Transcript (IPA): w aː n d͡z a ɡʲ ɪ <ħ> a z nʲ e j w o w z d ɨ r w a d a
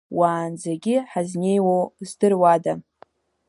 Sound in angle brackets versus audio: correct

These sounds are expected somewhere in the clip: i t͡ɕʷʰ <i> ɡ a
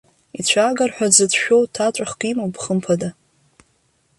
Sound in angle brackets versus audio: incorrect: a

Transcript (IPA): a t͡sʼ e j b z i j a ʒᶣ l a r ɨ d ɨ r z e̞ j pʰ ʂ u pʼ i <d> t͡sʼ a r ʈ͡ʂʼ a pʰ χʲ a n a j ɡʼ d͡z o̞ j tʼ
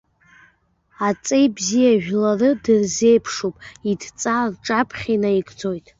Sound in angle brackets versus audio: correct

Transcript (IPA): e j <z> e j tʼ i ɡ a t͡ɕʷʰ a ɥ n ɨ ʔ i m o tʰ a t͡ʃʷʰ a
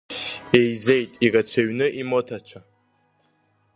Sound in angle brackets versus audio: correct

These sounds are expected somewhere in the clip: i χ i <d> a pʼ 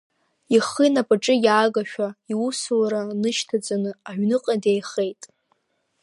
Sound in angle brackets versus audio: incorrect: n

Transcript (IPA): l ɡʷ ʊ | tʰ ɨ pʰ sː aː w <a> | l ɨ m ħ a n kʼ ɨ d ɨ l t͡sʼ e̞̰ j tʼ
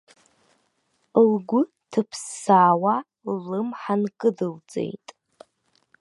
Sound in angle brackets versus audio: correct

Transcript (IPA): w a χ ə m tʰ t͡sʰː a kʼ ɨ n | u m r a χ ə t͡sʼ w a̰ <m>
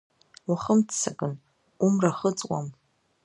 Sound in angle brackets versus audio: correct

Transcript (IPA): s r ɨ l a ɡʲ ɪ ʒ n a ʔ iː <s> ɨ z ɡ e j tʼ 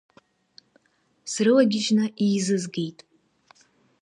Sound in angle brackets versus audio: incorrect: z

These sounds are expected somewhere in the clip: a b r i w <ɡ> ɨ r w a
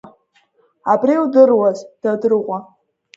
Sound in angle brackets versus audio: incorrect: d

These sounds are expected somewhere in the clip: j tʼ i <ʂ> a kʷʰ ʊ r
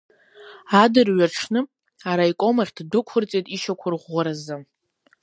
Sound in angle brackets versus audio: incorrect: ʃ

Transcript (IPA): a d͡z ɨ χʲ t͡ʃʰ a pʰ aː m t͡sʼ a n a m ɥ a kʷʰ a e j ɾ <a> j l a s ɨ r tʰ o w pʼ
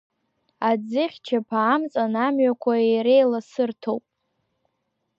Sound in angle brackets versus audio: incorrect: e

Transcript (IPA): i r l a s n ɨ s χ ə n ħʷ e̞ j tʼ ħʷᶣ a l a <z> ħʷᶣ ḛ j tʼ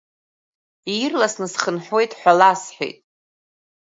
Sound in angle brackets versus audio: incorrect: s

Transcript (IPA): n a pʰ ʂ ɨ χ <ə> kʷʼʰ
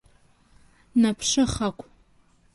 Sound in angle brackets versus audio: incorrect: a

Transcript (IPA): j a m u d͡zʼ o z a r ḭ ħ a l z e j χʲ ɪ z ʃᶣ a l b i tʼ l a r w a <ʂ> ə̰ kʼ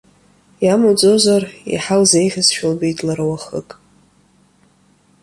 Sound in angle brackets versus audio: incorrect: χ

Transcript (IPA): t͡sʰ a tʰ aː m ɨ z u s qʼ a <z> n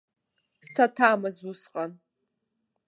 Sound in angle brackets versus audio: incorrect: none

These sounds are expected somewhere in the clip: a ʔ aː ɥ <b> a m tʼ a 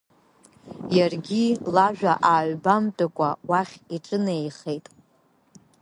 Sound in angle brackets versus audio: correct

